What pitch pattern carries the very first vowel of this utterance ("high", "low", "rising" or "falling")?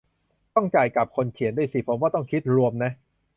falling